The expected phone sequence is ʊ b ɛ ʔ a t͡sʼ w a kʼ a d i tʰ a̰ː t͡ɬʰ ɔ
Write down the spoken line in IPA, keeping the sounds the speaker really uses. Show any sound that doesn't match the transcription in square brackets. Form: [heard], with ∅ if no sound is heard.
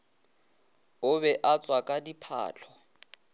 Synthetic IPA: ʊ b ɛ ʔ a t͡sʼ w a kʼ a d i [pʰ] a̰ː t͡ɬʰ ɔ